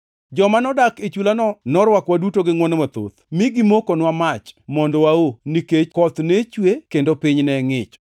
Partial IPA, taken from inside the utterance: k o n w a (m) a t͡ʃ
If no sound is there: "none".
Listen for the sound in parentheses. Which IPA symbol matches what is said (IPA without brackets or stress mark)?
m